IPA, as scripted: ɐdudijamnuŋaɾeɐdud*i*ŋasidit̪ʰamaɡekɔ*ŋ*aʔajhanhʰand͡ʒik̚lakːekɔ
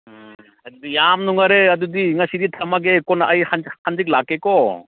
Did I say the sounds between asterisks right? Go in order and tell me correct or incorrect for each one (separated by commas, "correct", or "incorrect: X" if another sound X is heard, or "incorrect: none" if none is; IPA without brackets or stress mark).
correct, incorrect: n